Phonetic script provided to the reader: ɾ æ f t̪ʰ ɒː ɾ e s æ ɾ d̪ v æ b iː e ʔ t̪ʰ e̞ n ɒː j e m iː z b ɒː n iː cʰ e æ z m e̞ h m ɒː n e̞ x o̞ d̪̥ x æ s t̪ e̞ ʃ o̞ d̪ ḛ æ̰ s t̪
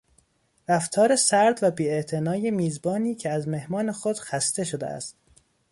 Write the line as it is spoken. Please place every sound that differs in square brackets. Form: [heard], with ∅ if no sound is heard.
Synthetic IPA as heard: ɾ æ f t̪ʰ ɒː ɾ e s æ ɾ d̪ v æ b iː e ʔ t̪ʰ e̞ n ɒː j e m iː z b ɒː n iː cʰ e æ z m e̞ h m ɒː n e̞ x o̞ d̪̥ x æ s t̪ e̞ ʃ o̞ d̪ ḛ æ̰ s t̪